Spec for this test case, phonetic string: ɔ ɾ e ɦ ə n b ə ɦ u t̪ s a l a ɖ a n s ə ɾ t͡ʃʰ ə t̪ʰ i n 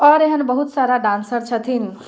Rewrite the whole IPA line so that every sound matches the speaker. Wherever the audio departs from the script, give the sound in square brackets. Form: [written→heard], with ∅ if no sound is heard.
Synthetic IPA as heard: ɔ ɾ e ɦ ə n b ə ɦ u t̪ s a [l→ɾ] a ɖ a n s ə ɾ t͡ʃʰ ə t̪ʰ i n